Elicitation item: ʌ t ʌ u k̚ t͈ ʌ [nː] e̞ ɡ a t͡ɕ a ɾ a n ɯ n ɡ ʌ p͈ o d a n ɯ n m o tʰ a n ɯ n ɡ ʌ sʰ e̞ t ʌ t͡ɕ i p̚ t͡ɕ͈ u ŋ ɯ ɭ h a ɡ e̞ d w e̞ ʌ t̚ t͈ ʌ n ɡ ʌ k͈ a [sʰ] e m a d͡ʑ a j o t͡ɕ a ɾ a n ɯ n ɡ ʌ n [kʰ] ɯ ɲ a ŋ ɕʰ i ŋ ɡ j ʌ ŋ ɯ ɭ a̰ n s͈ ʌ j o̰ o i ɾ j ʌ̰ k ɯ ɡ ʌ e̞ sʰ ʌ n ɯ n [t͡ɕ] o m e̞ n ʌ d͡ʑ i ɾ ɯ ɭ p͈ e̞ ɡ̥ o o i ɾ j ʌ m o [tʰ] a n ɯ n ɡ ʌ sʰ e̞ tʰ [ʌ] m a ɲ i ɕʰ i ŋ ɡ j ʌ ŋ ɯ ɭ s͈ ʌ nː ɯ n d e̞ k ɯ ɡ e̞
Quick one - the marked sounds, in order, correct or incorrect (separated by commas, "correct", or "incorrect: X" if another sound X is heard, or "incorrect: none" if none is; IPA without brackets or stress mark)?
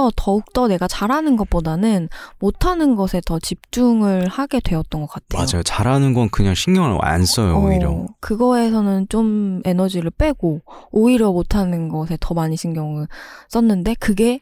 incorrect: n, incorrect: tʰ, incorrect: k, correct, correct, correct